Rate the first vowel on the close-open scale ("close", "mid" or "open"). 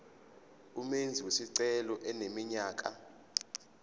close